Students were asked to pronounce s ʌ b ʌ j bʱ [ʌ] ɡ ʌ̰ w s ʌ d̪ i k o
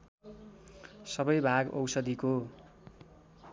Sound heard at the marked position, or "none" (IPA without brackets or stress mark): a